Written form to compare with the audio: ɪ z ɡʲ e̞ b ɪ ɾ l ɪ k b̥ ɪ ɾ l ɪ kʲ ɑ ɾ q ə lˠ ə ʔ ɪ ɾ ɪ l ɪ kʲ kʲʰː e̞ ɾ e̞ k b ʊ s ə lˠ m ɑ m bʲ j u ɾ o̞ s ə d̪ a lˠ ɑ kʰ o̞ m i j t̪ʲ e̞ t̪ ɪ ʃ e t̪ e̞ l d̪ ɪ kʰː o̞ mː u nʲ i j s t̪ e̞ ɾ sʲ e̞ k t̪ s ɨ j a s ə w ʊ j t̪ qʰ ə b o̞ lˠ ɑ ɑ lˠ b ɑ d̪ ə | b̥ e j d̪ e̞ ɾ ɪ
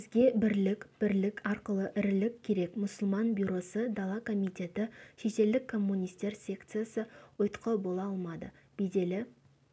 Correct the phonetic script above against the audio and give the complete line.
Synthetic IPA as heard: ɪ z ɡʲ e̞ b ɪ ɾ l ɪ k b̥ ɪ ɾ l ɪ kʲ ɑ ɾ q ə lˠ ə ʔ ɪ ɾ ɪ l ɪ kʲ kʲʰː e̞ ɾ e̞ k m ʊ s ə lˠ m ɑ n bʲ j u ɾ o̞ s ə d̪ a lˠ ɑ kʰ o̞ m i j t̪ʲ e̞ t̪ ɪ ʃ e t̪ e̞ l d̪ ɪ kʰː o̞ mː u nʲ i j s t̪ e̞ ɾ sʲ e̞ k t̪ s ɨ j a s ə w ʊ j t̪ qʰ ə b o̞ lˠ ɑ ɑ lˠ m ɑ d̪ ə | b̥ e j d̪ e̞ l ɪ

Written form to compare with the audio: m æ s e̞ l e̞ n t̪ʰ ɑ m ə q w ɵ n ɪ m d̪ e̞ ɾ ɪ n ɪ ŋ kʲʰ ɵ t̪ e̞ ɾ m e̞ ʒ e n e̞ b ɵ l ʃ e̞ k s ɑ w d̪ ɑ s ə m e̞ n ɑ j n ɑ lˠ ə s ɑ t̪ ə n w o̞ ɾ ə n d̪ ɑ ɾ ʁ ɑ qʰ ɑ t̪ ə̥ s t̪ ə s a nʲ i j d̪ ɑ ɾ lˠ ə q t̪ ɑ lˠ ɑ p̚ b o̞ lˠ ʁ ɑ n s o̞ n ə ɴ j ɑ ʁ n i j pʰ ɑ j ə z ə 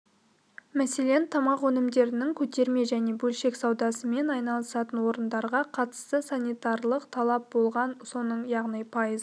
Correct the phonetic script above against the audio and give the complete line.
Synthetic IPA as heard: m æ s e̞ l e̞ n t̪ʰ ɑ m ɑ q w ɵ n ɪ m d̪ e̞ ɾ ɪ n ɪ ŋ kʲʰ ɵ t̪ e̞ ɾ m e̞ ʒ æ n e̞ b ɵ l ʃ e̞ k s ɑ w d̪ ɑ s ə m e̞ n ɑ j n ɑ lˠ ə s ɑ t̪ ə n w o̞ ɾ ə n d̪ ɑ ɾ ʁ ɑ qʰ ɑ t̪ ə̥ s t̪ ə s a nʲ i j t̪ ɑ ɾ lˠ ə q t̪ʰ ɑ lˠ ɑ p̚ b o̞ lˠ ʁ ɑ n s o̞ n ə ɴ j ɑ ʁ n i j pʰ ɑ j ə z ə

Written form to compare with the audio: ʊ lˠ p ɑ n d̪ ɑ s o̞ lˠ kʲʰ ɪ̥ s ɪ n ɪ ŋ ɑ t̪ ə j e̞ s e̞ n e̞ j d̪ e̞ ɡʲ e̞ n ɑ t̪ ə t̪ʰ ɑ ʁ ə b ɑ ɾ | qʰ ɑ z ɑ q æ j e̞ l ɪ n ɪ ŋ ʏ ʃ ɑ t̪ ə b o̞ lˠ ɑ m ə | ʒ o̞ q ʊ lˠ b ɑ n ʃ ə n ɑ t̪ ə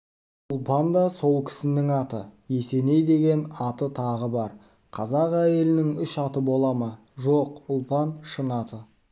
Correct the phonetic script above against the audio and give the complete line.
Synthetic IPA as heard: ʊ lˠ p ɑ n d̪ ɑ s o̞ lˠ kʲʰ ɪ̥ s ɪ n ɪ ŋ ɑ t̪ ə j e̞ s e̞ n e̞ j d̪ e̞ ɡʲ e̞ n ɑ t̪ ə t̪ʰ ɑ ʁ ə b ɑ ɾ | qʰ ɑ z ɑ q æ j e̞ l ɪ n ɪ ŋ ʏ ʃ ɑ t̪ ə b o̞ lˠ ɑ m ɑ | ʒ o̞ q ʊ lˠ p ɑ n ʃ ə n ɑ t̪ ə

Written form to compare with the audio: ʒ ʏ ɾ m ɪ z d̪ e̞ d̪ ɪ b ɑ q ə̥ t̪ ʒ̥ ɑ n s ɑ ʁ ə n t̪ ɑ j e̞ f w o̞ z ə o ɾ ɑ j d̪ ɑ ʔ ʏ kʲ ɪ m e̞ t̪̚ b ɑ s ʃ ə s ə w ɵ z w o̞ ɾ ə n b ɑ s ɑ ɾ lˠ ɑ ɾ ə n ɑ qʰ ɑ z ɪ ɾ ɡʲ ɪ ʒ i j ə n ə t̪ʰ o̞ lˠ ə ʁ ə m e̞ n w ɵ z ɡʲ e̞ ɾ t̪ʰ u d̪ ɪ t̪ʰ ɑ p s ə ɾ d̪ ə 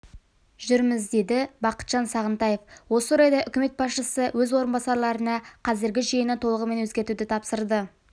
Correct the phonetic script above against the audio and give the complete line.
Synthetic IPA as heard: ʒ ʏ ɾ m ɪ z d̪ e̞ d̪ ɪ b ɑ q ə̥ t̪ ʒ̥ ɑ n s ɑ ʁ ə n t̪ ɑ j e̞ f w o̞ s ə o ɾ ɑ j d̪ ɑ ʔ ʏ kʲ ɪ m e̞ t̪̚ b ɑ s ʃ ə s ə w ɵ z w o̞ ɾ ə n b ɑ s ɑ ɾ lˠ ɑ ɾ ə n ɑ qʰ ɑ z ɪ ɾ ɡʲ ɪ ʒ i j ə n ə t̪ʰ o̞ lˠ ə ʁ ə m e̞ n w ɵ z ɡʲ e̞ ɾ t̪ u d̪ ɪ t̪ʰ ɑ p s ə ɾ d̪ ə

